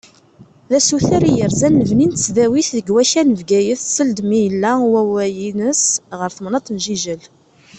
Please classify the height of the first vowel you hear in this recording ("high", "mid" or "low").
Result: low